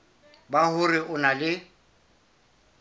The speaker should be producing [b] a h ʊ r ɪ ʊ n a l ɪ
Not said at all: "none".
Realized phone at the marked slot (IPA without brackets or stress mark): b